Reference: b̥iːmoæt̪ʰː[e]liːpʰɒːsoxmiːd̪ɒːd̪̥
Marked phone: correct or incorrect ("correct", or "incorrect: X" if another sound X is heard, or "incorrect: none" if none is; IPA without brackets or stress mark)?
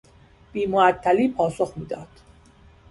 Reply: incorrect: æ